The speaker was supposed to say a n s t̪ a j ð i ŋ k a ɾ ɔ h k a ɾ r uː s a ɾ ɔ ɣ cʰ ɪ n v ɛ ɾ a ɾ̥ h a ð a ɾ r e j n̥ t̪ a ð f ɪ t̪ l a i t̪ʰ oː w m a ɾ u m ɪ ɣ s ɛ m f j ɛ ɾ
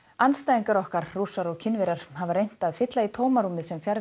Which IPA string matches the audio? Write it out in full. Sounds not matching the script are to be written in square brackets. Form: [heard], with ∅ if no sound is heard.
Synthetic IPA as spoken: a n s t̪ a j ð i ŋ k a ɾ ɔ h k a ɾ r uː s a ɾ ɔ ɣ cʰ ɪ n v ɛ ɾ a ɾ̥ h a [v] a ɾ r e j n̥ t̪ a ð f ɪ t̪ l a i t̪ʰ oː w m a ɾ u m ɪ [ð] s ɛ m f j [a] ɾ